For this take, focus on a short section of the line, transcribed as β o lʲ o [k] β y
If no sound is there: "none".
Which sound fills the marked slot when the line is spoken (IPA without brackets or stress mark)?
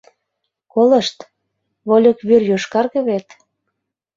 k